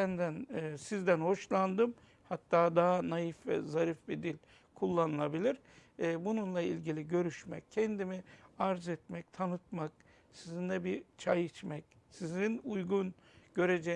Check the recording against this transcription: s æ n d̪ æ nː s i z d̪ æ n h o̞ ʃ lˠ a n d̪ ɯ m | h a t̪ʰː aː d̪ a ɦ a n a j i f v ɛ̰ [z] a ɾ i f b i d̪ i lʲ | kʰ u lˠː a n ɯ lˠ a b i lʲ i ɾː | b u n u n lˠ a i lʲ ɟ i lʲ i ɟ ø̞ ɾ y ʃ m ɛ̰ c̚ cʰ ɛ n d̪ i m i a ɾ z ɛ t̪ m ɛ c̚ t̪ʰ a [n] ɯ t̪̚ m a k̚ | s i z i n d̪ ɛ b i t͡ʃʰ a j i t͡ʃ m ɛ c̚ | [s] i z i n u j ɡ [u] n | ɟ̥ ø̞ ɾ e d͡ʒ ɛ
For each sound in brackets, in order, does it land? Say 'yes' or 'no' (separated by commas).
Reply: yes, yes, yes, yes